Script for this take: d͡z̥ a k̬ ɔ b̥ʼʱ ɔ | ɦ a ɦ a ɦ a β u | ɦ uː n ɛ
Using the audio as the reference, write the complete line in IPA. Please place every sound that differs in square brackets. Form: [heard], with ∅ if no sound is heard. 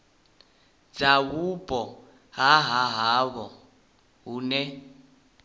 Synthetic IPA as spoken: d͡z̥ a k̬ [u] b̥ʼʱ ɔ | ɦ a ɦ a ɦ a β [ɔ] | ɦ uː n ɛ